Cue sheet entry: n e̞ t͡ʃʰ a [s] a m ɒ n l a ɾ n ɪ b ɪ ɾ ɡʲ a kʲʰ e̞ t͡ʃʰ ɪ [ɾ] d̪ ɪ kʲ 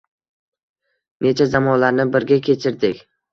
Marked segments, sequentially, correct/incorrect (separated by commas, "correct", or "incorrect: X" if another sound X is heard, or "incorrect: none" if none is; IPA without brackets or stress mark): incorrect: z, correct